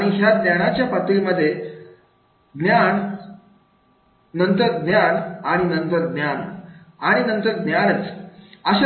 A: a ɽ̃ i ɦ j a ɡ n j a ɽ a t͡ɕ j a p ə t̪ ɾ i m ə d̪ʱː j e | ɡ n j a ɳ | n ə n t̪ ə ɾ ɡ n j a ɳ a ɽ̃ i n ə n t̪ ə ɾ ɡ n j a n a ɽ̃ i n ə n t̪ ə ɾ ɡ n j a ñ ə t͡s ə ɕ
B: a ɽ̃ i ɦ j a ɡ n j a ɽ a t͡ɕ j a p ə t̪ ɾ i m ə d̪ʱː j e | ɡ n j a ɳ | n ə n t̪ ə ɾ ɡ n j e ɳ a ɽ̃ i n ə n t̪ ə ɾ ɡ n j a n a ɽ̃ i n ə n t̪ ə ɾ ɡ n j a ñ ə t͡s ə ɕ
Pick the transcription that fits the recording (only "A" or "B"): A